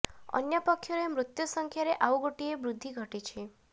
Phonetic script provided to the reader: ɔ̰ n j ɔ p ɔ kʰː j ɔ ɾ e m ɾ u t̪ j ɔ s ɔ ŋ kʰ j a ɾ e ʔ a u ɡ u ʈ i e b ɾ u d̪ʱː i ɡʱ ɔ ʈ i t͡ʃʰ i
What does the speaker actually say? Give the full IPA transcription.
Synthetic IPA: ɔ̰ n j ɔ p ɔ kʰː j ɔ ɾ e m ɾ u t̪ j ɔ s ɔ ŋ kʰ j a ɾ e ʔ a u ɡ o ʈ i e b ɾ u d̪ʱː i ɡʱ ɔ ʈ i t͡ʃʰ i